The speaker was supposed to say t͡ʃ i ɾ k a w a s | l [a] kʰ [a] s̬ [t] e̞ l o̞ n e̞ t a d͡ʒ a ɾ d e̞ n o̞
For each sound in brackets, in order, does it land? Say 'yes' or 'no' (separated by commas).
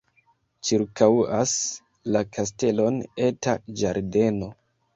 yes, yes, yes